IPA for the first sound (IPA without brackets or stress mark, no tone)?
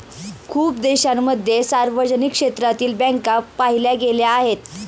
kʰ